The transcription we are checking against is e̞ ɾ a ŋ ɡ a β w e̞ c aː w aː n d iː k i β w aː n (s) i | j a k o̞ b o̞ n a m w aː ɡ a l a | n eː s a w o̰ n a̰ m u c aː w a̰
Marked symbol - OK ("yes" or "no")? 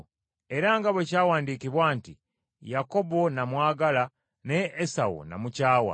no